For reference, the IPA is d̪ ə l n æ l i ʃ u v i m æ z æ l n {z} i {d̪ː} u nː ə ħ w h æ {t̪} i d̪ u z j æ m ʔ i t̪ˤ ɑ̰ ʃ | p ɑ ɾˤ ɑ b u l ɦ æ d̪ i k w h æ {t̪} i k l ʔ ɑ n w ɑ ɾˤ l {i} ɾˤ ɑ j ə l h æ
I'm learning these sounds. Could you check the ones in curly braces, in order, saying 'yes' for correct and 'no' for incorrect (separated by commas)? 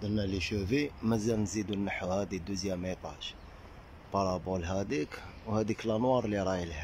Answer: yes, no, no, no, yes